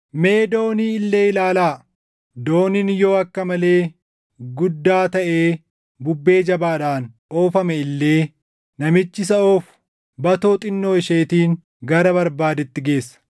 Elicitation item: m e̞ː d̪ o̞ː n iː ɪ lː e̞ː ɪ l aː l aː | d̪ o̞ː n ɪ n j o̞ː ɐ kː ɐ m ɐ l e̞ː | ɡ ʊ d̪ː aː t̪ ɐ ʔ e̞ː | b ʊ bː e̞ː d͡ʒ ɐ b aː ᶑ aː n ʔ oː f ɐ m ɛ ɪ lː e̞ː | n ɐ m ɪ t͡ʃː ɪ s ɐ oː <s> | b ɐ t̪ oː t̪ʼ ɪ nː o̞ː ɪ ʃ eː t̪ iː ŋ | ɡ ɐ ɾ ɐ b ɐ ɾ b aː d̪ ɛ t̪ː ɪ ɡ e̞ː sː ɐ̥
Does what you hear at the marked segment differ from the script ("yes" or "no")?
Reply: yes